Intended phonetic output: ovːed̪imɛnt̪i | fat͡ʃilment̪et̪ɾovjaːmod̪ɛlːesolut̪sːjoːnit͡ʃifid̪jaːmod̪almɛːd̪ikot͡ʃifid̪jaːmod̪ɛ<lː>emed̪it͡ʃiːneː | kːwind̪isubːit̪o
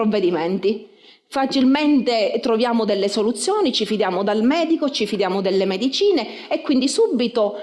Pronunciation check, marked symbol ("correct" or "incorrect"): correct